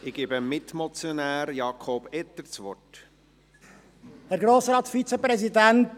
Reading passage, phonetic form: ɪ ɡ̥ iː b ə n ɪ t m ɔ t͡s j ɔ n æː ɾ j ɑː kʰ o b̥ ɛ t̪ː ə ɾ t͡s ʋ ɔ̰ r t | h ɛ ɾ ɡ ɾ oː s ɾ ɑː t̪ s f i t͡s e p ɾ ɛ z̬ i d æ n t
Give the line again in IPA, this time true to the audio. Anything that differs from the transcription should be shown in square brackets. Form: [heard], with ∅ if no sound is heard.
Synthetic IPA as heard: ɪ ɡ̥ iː b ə [m] ɪ t m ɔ t͡s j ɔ n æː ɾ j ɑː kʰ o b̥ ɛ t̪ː ə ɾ t͡s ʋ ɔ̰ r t | h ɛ ɾ ɡ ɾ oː s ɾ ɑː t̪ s f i t͡s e p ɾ ɛ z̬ i d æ n t